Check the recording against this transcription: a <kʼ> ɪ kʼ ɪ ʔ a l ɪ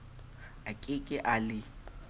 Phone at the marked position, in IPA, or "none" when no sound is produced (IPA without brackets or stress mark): kʼ